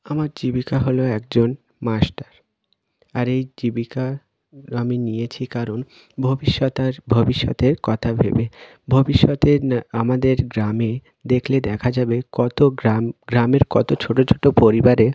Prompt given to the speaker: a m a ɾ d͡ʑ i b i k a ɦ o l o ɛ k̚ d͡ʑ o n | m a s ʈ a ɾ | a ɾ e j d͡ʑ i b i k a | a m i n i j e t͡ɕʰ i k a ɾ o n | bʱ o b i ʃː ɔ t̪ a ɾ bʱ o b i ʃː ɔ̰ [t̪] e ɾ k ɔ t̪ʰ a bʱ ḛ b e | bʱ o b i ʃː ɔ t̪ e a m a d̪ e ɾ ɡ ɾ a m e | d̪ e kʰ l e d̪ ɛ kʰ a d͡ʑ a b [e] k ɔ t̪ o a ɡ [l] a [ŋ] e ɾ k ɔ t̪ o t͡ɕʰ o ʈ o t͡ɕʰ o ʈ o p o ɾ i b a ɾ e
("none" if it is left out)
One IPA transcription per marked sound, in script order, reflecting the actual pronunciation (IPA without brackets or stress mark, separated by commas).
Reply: t̪, e, ɾ, m